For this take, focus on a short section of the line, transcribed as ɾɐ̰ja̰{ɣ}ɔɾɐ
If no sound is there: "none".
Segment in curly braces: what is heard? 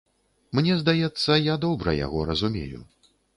ɣ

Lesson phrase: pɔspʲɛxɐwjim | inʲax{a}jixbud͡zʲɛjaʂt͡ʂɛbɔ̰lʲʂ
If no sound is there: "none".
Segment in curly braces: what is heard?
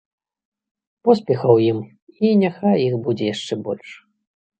a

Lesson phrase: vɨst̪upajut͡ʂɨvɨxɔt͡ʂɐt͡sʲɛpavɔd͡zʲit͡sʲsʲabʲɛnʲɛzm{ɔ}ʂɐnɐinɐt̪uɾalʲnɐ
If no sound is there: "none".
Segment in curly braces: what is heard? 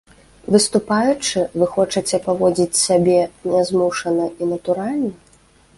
u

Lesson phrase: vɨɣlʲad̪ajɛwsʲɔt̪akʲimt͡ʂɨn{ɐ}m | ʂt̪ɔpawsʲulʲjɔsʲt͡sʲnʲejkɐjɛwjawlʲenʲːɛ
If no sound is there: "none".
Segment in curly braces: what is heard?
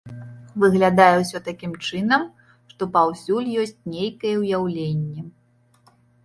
ɐ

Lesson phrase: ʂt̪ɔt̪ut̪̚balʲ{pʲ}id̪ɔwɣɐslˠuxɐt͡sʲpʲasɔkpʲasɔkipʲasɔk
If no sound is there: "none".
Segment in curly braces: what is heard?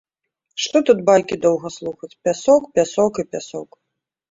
kʲ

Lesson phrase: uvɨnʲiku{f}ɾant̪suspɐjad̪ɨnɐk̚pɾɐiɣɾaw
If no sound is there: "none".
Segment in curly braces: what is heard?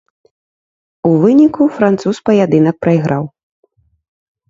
f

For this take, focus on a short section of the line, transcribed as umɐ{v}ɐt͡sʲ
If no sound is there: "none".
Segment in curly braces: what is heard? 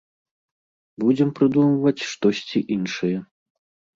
v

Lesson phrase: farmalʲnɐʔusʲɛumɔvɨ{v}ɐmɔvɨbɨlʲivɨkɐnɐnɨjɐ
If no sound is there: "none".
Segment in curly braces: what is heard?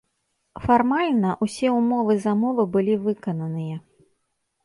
z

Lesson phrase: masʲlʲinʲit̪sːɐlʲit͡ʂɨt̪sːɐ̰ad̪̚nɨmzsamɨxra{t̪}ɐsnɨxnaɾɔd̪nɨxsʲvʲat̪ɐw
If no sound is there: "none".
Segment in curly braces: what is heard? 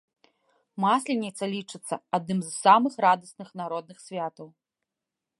d̪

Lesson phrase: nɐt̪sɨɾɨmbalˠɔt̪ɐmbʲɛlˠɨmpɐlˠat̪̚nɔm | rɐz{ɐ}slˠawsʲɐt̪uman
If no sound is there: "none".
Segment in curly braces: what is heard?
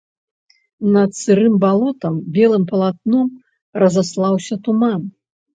a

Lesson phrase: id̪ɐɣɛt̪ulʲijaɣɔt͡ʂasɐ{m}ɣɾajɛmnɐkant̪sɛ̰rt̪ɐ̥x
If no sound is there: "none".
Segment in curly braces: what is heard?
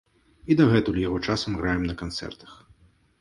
m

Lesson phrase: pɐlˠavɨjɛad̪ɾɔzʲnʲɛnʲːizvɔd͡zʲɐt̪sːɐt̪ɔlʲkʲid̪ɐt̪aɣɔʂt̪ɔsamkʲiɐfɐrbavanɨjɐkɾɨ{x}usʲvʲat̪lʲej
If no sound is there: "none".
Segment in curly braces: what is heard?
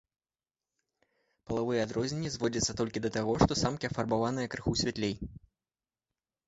x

